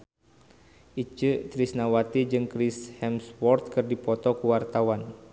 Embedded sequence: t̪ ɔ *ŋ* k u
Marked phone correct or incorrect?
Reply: incorrect